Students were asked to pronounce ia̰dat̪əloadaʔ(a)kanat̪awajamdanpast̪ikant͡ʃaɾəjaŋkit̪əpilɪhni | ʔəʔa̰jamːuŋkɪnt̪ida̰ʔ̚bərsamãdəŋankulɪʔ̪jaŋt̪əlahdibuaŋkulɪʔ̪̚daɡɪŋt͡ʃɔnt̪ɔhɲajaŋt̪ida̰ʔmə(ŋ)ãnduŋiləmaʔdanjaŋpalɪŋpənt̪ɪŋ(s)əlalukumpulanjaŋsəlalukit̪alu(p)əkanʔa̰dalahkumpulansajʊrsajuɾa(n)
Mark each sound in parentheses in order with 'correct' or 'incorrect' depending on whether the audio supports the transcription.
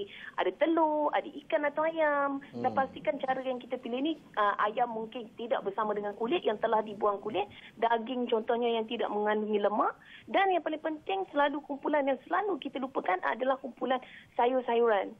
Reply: incorrect, correct, correct, correct, correct

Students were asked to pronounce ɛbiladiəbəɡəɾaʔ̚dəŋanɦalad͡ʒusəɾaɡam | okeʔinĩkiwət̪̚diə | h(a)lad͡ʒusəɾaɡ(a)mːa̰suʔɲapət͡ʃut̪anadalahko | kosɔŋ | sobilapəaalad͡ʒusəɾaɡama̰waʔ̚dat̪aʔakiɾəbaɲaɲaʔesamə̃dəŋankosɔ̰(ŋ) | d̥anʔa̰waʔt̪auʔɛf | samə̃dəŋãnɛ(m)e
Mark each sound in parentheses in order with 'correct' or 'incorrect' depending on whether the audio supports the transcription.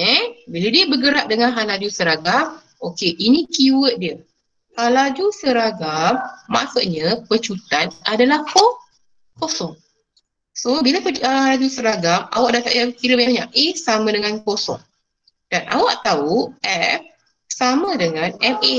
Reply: correct, correct, correct, correct

